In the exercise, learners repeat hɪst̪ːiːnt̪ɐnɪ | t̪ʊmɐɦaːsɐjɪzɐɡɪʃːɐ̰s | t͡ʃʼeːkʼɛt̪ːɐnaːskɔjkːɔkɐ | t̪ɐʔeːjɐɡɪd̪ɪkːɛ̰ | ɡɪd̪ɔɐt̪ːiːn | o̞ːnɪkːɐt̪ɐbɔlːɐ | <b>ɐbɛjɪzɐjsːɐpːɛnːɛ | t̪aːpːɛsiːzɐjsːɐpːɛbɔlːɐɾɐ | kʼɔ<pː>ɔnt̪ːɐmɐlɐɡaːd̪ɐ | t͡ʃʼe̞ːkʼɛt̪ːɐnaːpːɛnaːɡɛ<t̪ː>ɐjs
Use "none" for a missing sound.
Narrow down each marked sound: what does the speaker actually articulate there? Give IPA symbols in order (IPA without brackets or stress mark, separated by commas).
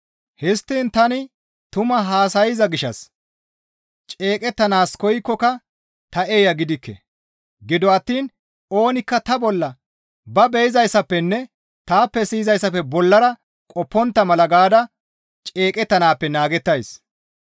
b, pː, t̪ː